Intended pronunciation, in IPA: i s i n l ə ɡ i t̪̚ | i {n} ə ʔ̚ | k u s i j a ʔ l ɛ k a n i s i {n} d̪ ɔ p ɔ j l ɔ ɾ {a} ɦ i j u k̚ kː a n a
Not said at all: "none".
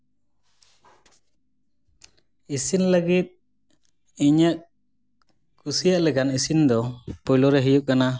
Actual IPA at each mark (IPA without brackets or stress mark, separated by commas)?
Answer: ɲ, n, ɛ